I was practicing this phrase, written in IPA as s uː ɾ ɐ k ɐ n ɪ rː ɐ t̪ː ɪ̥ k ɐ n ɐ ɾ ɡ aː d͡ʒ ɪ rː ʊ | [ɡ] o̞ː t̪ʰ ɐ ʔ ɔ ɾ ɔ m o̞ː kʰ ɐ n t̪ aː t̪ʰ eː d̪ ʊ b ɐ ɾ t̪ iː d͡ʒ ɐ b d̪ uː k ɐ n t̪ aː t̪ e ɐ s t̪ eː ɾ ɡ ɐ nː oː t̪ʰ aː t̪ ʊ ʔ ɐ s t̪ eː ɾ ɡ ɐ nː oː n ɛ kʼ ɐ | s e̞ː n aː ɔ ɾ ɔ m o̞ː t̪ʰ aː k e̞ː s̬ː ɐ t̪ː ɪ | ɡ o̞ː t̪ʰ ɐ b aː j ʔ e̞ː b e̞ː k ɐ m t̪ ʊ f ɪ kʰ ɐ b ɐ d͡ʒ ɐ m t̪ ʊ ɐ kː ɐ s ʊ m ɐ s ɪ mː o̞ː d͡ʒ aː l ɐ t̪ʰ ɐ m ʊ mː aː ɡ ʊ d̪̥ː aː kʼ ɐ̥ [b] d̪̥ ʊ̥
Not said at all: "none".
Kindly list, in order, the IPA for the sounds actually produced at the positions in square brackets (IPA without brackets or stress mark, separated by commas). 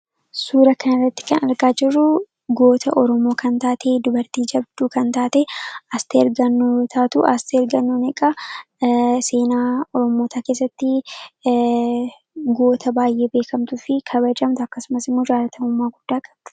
ɡ, b